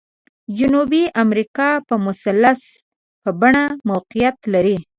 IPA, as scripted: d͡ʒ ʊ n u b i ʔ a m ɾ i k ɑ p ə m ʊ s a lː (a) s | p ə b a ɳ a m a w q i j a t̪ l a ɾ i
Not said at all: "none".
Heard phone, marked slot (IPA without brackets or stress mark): a